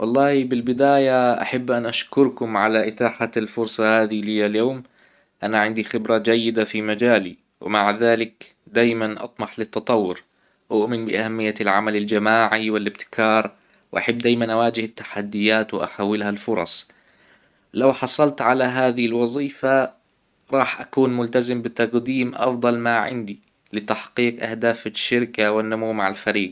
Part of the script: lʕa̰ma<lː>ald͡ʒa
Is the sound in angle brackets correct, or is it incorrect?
incorrect